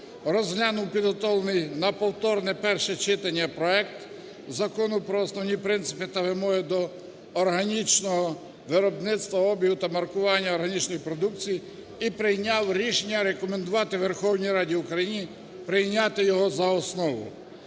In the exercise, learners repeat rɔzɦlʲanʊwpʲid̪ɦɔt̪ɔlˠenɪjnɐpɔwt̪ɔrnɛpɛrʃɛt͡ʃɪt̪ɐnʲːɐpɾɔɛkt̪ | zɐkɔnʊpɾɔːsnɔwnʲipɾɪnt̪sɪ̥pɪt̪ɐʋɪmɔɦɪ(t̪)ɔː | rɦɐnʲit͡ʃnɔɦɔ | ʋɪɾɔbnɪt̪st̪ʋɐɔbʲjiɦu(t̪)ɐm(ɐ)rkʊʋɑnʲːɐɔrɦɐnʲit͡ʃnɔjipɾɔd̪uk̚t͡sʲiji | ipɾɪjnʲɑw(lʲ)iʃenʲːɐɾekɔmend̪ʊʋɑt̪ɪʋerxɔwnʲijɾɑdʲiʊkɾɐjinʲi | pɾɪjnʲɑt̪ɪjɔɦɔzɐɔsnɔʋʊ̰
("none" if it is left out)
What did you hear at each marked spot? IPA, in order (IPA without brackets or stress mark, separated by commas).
d̪, t̪, ɐ, ɾʲ